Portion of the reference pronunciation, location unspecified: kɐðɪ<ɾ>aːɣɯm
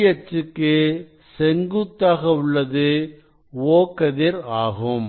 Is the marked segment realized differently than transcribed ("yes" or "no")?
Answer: no